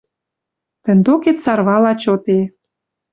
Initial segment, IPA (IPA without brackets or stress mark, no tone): t̪